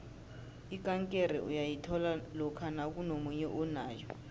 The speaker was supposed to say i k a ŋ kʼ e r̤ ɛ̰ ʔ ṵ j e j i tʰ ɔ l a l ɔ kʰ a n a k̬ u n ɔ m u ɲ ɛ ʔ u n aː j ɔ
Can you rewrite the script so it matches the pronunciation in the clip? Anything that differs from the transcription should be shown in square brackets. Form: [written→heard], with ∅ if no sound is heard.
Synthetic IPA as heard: i k a ŋ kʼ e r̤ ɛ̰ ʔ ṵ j [e→a] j i tʰ ɔ l a l ɔ kʰ a n a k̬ u n [ɔ→o] m u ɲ ɛ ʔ u n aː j ɔ